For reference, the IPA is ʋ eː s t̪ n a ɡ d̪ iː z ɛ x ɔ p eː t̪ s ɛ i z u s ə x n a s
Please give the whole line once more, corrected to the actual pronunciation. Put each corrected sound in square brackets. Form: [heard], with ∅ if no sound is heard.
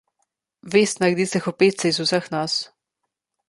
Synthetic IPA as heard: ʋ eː s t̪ n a ɡ d̪ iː [s] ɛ x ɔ p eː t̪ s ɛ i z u s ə x n a s